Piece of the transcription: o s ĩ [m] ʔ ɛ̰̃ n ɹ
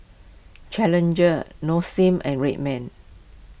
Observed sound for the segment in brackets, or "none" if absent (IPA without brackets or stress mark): m